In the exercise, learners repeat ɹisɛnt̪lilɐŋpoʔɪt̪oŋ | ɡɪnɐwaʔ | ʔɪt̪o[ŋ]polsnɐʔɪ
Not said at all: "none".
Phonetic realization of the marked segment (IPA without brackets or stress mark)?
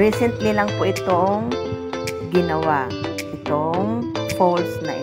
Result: ŋ